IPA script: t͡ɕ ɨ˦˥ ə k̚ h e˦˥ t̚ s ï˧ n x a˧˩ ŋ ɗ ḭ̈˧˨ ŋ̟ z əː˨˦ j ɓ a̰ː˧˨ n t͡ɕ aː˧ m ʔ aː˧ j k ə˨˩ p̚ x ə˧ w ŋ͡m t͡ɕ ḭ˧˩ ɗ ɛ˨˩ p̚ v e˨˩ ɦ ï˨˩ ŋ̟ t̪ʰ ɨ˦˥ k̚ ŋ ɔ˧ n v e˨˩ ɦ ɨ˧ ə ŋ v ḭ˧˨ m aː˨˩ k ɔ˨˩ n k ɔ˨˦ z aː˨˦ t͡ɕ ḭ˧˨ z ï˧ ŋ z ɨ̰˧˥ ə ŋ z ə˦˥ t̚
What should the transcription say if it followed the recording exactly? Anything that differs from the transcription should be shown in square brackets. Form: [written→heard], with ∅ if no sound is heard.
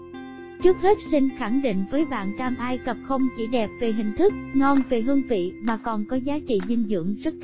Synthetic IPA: t͡ɕ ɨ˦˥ ə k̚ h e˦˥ t̚ s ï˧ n x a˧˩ ŋ ɗ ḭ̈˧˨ ŋ̟ [z→v] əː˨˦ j ɓ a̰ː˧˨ n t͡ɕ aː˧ m ʔ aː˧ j k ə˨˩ p̚ x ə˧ w ŋ͡m t͡ɕ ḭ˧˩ ɗ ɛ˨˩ p̚ v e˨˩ ɦ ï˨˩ ŋ̟ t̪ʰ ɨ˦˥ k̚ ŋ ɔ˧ n v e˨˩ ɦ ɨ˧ ə ŋ v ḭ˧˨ m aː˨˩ k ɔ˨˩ n k ɔ˨˦ z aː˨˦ t͡ɕ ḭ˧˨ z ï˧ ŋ z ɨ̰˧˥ ə ŋ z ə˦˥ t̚